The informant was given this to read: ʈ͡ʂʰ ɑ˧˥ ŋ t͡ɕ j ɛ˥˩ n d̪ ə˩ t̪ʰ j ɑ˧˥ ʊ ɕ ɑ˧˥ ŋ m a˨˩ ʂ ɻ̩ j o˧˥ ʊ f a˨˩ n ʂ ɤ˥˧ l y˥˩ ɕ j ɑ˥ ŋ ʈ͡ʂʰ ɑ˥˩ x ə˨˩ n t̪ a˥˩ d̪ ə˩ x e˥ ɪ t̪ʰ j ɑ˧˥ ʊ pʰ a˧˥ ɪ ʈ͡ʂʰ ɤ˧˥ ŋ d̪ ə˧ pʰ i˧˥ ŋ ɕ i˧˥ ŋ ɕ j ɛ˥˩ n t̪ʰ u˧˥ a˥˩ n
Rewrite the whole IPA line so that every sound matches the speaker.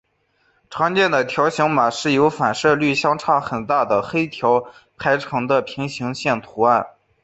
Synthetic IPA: ʈ͡ʂʰ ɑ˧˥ ŋ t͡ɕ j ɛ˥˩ n d̪ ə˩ t̪ʰ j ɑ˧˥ ʊ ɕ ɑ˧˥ ŋ m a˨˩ ʂ ɻ̩ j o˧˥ ʊ f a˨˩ n ʂ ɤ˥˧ l y˥˩ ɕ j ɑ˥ ŋ ʈ͡ʂʰ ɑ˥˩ x ə˨˩ n t̪ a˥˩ d̪ ə˩ x e˥ ɪ t̪ʰ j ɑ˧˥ ʊ pʰ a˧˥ ɪ ʈ͡ʂʰ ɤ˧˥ ŋ d̪ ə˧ pʰ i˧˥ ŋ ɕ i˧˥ ŋ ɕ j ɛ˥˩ n t̪ʰ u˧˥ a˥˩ n